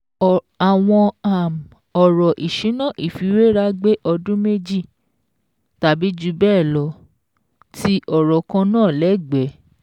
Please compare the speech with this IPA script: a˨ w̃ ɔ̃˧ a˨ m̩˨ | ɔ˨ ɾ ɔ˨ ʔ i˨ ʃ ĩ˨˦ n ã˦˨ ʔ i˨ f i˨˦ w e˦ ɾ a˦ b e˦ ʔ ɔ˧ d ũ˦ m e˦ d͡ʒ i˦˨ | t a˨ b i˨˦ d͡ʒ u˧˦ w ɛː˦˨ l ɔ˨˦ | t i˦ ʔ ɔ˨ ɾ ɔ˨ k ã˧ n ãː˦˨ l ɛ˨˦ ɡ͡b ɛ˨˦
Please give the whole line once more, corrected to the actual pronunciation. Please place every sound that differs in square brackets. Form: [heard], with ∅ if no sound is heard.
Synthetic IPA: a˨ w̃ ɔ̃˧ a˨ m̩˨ | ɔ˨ ɾ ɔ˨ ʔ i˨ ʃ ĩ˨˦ n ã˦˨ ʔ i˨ f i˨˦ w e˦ ɾ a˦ [ɡ͡b] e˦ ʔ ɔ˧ d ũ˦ m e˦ d͡ʒ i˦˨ | t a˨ b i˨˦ d͡ʒ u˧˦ [b] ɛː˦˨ l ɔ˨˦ | t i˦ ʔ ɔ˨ ɾ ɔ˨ k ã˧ n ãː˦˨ l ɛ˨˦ ɡ͡b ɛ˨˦